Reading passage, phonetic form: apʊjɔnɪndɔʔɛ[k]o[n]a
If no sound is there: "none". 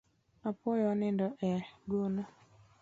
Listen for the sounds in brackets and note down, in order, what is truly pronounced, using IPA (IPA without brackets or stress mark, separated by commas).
ɡ, n